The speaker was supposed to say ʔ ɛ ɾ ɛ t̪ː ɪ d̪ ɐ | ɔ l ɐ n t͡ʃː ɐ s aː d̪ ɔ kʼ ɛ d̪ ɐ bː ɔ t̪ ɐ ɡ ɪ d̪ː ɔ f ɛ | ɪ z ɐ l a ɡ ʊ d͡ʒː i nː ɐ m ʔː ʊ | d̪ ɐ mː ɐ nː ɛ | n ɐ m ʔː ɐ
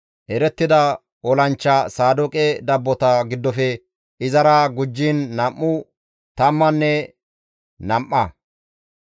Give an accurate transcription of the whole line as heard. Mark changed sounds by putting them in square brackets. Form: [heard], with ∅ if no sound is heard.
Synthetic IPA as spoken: ʔ ɛ ɾ ɛ t̪ː ɪ d̪ ɐ | ɔ l ɐ n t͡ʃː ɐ s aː d̪ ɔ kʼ ɛ d̪ ɐ bː ɔ t̪ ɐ ɡ ɪ d̪ː ɔ f ɛ | ɪ z ɐ [ɾ] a ɡ ʊ d͡ʒː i nː ɐ m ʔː ʊ | [t̪] ɐ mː ɐ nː ɛ | n ɐ m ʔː ɐ

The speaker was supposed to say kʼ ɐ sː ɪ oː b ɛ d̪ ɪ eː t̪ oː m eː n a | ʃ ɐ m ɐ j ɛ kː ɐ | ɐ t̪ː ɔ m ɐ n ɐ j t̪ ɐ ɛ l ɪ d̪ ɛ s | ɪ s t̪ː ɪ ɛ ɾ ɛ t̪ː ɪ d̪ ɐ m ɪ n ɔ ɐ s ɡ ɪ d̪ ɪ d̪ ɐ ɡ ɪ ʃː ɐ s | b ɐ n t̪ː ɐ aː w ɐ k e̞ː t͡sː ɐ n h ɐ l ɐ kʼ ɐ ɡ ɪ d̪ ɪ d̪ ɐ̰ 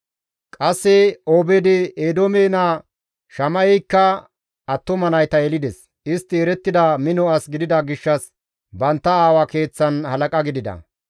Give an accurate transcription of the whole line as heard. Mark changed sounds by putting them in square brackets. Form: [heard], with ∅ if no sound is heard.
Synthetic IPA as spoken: kʼ ɐ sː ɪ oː b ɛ d̪ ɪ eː [d̪] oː m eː n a | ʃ ɐ m ɐ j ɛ kː ɐ | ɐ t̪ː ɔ m ɐ n ɐ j t̪ ɐ ɛ l ɪ d̪ ɛ s | ɪ s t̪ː ɪ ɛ ɾ ɛ t̪ː ɪ d̪ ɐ m ɪ n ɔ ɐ s ɡ ɪ d̪ ɪ d̪ ɐ ɡ ɪ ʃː ɐ s | b ɐ n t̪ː ɐ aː w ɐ k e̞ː t͡sː ɐ n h ɐ l ɐ kʼ ɐ ɡ ɪ d̪ ɪ d̪ ɐ̰

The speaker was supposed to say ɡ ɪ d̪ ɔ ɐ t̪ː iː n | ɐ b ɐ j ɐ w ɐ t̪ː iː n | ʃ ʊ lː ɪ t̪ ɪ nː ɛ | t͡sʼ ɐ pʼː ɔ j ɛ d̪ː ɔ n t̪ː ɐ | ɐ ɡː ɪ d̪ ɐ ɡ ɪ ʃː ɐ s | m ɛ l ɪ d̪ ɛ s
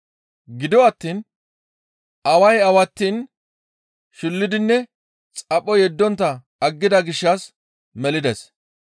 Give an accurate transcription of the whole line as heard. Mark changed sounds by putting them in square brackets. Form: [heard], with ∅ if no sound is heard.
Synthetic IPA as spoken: ɡ ɪ d̪ ɔ ɐ t̪ː iː n | ɐ [w] ɐ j ɐ w ɐ t̪ː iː n | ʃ ʊ lː ɪ [d̪] ɪ nː ɛ | t͡sʼ ɐ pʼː ɔ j ɛ d̪ː ɔ n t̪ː ɐ | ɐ ɡː ɪ d̪ ɐ ɡ ɪ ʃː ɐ s | m ɛ l ɪ d̪ ɛ s

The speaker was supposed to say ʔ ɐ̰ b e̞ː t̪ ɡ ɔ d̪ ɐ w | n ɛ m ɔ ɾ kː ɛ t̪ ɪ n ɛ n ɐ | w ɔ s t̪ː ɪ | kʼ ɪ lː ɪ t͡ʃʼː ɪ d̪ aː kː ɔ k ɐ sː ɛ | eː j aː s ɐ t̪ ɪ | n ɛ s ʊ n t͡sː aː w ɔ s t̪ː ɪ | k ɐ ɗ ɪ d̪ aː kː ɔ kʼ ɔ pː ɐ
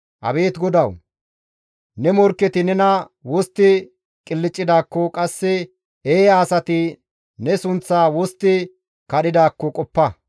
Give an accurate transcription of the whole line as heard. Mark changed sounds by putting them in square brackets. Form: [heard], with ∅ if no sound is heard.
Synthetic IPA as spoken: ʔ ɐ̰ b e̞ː t̪ ɡ ɔ d̪ ɐ w | n ɛ m ɔ ɾ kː ɛ t̪ ɪ n ɛ n ɐ | w ɔ s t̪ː ɪ | kʼ ɪ lː ɪ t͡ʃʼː ɪ d̪ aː kː ɔ [kʼ] ɐ sː ɛ | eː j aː s ɐ t̪ ɪ | n ɛ s ʊ n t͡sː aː w ɔ s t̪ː ɪ | k ɐ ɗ ɪ d̪ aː kː ɔ kʼ ɔ pː ɐ

